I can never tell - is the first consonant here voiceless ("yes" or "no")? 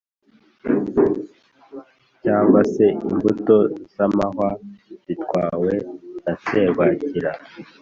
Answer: yes